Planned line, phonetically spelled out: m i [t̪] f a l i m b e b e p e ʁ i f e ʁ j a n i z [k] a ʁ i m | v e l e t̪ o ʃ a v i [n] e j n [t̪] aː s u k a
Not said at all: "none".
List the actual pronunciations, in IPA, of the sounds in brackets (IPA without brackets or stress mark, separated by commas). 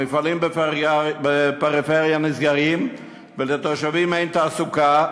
none, ɡ, m, t̪